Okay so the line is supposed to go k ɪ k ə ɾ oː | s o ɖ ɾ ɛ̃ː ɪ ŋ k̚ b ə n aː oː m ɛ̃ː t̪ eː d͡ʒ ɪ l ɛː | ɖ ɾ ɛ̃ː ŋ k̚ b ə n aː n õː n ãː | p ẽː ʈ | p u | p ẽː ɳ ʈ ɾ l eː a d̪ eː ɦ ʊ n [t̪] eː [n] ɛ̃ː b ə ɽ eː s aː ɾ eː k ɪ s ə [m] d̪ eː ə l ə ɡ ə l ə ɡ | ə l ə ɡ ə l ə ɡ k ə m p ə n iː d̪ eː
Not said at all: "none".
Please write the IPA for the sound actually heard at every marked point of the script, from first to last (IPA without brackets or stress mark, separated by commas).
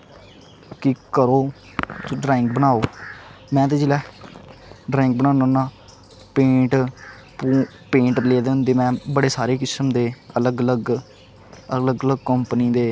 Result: d̪, m, m